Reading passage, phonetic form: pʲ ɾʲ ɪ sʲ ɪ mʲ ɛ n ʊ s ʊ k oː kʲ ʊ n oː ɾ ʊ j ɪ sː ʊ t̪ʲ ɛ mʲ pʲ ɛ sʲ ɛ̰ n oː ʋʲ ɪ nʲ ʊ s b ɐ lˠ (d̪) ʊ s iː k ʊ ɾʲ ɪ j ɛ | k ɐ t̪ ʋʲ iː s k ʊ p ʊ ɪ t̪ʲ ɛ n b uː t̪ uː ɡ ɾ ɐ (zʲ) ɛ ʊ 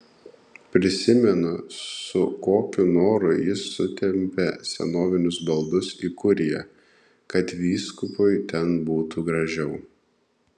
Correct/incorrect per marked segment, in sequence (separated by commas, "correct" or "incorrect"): correct, incorrect